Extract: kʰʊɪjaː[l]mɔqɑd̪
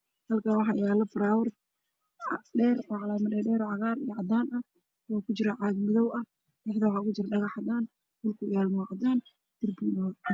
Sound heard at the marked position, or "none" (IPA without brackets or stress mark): l